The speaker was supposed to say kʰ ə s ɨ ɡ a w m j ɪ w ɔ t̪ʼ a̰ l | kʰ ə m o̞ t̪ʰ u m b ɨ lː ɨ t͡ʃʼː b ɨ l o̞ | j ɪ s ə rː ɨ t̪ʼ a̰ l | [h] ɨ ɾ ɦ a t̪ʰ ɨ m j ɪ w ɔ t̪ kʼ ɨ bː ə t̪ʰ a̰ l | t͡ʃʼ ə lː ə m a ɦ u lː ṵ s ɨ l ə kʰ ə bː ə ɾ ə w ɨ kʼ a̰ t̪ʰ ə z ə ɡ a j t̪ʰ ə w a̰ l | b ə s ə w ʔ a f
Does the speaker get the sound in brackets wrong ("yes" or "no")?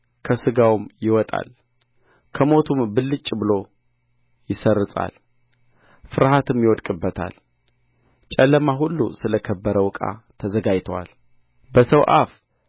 yes